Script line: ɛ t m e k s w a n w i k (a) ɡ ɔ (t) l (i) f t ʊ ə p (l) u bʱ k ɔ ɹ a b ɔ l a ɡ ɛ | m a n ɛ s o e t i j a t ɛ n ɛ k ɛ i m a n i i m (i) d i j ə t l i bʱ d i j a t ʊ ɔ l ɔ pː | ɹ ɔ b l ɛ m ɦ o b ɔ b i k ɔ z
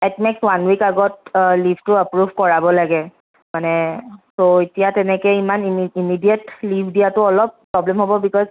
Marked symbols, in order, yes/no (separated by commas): yes, yes, yes, no, yes